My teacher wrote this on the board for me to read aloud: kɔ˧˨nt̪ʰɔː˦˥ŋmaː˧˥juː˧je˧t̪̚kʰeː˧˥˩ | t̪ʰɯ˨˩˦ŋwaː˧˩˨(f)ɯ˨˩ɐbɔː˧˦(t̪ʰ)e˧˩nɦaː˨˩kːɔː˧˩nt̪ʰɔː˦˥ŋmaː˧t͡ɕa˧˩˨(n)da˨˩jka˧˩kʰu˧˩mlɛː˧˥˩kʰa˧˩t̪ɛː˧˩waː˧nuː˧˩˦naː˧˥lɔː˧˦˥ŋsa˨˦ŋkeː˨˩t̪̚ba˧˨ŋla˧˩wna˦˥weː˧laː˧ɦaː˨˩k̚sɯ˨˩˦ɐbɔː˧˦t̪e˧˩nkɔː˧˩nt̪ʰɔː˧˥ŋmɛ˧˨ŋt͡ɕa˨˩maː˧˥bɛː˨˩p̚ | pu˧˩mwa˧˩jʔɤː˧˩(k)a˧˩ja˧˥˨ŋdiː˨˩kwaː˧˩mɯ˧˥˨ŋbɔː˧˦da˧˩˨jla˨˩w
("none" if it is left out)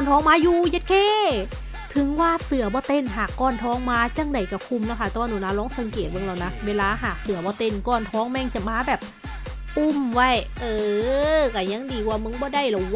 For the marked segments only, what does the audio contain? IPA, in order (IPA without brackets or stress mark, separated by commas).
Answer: s, t̪, ŋ, k